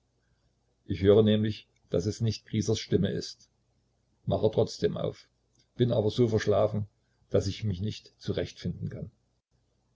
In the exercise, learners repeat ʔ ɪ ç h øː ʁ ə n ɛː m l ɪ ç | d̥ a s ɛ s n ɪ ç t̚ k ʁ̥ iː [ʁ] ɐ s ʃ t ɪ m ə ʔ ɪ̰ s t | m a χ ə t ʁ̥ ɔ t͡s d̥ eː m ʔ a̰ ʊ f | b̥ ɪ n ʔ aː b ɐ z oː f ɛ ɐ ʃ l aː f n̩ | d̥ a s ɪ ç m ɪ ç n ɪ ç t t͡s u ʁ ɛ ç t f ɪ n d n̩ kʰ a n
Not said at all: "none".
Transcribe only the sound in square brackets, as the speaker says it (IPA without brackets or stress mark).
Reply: z